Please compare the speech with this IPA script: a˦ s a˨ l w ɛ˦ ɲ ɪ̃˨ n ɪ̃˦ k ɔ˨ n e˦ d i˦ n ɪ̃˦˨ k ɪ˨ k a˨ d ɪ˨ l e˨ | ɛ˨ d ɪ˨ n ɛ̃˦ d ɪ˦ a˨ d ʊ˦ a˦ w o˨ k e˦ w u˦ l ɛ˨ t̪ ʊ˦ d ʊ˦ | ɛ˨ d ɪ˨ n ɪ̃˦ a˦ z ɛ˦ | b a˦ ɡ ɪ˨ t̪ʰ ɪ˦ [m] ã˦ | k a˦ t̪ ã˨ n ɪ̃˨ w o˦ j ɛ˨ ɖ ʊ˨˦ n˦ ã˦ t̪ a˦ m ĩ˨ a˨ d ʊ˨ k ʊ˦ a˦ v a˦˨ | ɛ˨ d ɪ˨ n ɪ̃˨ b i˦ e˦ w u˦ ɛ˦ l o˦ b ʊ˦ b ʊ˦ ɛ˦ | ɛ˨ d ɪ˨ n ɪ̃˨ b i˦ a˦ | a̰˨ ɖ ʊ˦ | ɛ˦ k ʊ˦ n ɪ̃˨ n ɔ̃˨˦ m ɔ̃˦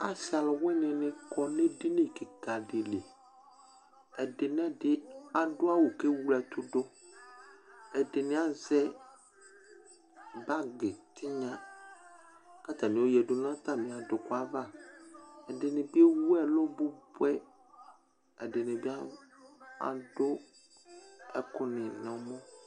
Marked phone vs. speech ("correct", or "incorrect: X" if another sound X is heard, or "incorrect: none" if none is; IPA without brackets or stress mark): incorrect: ɲ